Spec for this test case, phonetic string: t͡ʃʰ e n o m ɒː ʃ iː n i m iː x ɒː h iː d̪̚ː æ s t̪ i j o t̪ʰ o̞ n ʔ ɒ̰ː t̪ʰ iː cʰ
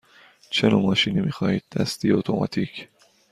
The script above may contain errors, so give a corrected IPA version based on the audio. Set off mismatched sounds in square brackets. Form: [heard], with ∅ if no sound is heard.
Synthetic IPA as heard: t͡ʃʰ e n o m ɒː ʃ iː n i m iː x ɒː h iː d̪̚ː æ s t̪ i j o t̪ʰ o̞ [m] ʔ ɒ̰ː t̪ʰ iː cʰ